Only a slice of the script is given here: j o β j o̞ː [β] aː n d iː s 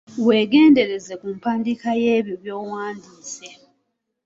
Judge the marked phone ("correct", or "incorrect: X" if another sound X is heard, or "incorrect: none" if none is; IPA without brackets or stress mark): incorrect: w